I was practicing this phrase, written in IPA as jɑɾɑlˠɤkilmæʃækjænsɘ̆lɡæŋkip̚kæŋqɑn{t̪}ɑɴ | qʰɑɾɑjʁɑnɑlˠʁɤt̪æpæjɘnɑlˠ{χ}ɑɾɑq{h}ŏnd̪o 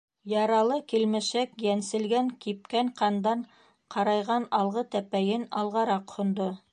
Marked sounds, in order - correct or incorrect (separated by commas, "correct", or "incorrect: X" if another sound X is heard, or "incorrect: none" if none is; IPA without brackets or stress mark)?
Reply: incorrect: d̪, incorrect: ʁ, correct